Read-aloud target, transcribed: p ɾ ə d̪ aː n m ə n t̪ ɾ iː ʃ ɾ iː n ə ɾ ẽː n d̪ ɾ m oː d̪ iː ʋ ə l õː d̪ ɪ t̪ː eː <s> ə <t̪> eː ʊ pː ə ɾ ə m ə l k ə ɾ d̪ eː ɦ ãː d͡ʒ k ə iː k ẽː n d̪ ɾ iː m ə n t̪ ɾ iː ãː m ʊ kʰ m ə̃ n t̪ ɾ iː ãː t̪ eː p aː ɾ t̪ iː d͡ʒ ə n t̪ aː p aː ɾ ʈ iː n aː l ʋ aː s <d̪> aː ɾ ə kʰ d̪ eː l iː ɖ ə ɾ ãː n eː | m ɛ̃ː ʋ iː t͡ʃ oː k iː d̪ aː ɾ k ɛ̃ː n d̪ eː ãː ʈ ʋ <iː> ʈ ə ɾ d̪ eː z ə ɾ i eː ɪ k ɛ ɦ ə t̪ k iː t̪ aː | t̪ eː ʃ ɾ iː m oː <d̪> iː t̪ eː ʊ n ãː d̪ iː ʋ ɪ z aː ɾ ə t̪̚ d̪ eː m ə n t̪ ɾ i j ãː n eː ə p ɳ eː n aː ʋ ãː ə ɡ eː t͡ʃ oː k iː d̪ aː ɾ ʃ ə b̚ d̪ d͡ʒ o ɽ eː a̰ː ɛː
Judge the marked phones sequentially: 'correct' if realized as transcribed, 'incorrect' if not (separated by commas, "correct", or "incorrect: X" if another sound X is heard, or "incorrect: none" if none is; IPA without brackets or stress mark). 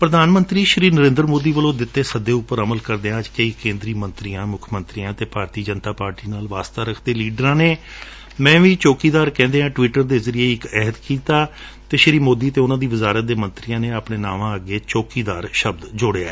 correct, incorrect: d̪, incorrect: t̪, correct, correct